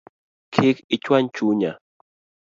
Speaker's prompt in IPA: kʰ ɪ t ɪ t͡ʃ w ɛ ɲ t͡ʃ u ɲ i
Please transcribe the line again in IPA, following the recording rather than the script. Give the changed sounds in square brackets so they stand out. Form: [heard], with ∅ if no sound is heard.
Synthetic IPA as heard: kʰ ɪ [k] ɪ t͡ʃ w [a] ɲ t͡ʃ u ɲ [a]